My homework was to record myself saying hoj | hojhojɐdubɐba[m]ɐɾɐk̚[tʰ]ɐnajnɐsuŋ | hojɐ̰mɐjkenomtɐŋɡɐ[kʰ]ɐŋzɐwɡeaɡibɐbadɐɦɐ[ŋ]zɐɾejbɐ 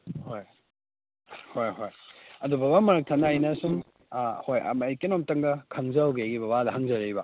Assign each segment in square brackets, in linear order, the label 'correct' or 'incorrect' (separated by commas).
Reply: correct, correct, correct, correct